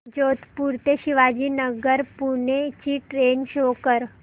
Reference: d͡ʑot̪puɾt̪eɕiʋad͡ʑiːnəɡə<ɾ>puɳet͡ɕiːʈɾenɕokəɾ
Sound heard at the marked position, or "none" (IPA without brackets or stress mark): ɾ